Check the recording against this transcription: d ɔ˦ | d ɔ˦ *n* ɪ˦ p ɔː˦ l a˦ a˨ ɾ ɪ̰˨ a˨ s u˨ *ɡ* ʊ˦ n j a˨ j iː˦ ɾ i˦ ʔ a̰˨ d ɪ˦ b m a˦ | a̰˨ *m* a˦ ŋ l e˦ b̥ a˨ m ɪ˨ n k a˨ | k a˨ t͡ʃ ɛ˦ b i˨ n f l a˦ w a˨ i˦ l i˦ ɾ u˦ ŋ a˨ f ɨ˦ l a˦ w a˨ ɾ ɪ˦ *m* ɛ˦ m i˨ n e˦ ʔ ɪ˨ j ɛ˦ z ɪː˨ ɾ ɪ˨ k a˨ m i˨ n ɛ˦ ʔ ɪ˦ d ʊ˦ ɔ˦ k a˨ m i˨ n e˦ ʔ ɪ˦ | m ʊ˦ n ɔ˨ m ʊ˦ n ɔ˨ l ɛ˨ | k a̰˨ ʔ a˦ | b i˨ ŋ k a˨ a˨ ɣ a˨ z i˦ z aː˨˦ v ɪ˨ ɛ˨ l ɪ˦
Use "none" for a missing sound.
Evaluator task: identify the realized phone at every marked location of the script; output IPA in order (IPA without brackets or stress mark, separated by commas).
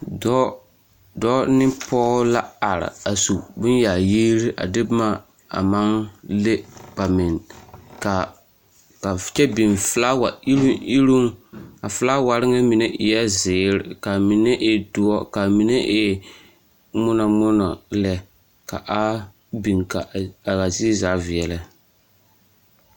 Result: n, b, m, ŋ